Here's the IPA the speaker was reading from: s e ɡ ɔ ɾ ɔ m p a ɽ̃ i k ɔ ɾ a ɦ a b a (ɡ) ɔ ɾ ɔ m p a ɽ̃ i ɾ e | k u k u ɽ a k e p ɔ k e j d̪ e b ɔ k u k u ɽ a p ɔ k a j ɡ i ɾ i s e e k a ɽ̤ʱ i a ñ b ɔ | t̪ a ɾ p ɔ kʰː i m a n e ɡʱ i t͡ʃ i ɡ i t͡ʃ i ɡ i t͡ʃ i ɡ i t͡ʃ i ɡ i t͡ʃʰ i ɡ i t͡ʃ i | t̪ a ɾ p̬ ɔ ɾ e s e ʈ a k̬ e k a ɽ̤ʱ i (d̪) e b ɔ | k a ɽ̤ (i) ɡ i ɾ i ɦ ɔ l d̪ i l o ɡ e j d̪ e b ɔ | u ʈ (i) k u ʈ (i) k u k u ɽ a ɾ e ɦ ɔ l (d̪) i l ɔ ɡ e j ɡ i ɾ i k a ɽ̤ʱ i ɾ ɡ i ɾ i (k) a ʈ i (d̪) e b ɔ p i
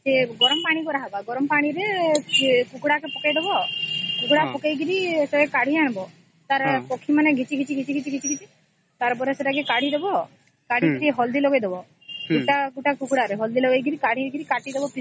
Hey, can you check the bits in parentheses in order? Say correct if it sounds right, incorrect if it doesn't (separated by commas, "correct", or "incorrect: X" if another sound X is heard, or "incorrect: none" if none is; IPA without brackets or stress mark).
correct, correct, correct, incorrect: a, incorrect: a, correct, correct, correct